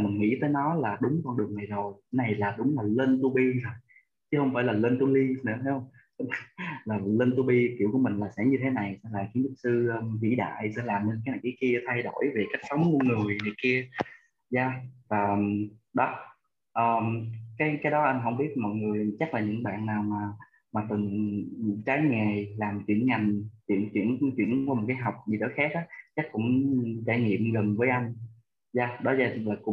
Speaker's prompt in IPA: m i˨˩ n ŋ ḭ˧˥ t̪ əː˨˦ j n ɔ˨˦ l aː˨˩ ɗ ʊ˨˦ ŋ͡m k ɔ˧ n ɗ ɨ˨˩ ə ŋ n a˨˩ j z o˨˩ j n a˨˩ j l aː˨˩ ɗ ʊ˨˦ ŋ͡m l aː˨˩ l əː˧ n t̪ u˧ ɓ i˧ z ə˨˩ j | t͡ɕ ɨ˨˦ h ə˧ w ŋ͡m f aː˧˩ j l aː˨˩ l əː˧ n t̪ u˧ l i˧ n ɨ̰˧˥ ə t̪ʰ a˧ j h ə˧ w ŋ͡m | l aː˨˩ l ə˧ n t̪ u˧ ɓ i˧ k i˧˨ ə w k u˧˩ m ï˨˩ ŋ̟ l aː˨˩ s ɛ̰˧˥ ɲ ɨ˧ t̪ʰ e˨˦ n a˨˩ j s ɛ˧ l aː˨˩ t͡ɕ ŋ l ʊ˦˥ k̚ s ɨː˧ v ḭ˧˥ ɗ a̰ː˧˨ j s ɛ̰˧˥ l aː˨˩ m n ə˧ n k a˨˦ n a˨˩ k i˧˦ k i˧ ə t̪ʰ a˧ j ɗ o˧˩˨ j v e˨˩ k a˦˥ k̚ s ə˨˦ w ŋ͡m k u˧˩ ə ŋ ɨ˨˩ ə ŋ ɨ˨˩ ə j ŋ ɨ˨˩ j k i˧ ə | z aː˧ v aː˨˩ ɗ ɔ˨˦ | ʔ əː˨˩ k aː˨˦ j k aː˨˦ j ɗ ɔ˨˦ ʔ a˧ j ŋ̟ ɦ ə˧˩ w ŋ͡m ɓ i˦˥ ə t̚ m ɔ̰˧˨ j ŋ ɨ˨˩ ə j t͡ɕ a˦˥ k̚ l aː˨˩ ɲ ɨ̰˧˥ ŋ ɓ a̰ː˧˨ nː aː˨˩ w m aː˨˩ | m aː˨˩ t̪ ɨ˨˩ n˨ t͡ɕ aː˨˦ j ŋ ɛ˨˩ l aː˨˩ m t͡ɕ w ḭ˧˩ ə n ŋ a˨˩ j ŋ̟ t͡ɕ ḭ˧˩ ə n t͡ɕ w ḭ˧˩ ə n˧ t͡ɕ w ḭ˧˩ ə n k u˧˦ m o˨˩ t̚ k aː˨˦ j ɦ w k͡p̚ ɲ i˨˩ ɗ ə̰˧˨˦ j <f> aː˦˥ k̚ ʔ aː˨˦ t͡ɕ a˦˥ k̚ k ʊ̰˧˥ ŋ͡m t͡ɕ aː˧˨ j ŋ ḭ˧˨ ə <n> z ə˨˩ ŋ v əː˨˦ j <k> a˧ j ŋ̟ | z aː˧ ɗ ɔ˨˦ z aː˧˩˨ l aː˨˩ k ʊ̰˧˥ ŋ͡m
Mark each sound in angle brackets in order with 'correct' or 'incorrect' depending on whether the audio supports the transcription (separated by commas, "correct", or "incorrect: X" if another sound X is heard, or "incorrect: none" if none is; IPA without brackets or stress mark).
incorrect: x, incorrect: m, incorrect: ʔ